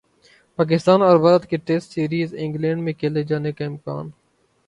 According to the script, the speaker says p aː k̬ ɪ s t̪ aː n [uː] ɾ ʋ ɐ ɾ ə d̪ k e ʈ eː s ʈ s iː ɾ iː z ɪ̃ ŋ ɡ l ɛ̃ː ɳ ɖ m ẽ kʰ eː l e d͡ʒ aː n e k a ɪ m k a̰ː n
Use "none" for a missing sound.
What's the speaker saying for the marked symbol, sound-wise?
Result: ɔː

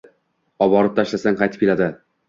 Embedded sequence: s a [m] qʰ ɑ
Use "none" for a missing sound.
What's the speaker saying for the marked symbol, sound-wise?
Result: ŋ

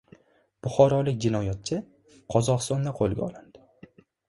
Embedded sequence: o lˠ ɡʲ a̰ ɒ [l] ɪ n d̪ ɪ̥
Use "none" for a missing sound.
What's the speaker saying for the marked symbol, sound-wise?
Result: l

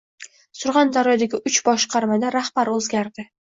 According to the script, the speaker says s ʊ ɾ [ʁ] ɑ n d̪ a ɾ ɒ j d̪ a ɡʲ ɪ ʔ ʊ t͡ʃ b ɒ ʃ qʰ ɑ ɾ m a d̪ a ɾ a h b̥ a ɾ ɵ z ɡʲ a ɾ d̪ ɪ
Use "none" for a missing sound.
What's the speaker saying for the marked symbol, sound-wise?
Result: ʁ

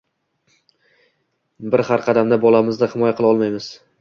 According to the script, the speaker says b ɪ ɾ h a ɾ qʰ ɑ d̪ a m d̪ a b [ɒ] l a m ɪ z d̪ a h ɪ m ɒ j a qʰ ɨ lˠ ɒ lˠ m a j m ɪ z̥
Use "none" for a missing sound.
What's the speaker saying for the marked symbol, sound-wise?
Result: ɒ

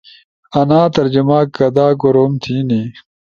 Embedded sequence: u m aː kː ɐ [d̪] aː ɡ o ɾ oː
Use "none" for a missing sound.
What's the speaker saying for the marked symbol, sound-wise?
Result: d̪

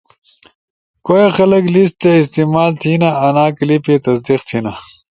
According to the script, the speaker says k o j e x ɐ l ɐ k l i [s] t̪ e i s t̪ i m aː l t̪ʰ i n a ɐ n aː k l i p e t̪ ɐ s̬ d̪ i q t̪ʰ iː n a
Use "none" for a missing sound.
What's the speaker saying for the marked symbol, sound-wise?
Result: s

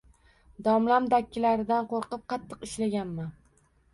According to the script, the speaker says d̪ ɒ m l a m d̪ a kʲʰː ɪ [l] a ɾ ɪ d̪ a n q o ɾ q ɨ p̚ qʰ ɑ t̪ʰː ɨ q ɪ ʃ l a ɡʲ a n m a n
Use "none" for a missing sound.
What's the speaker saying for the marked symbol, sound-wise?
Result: l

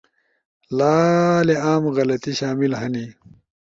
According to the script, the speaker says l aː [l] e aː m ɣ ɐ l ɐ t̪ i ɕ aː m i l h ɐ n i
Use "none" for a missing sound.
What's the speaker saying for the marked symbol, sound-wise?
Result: l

